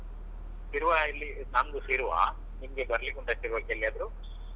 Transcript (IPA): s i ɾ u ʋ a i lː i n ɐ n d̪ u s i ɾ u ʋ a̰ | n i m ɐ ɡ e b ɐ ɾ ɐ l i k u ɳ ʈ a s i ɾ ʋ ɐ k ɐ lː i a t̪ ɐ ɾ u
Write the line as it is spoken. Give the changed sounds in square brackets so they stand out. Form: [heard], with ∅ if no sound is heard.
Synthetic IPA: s i ɾ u ʋ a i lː i n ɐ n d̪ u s i ɾ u ʋ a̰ | n i m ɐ ɡ e b ɐ ɾ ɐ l i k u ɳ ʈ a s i ɾ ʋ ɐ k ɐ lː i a [d̪] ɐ ɾ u